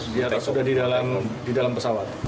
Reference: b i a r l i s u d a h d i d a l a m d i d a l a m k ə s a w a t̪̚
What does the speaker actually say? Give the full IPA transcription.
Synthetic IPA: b i a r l a s u d a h d i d a l a m d i d a l a m p ə s a w a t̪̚